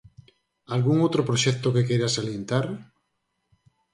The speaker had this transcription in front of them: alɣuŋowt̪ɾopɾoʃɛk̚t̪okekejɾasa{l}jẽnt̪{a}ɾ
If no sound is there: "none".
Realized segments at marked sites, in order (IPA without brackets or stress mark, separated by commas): l, a